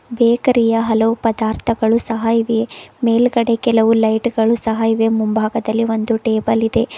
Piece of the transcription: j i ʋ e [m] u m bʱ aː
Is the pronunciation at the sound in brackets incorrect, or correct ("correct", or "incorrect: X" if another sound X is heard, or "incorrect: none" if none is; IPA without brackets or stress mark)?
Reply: correct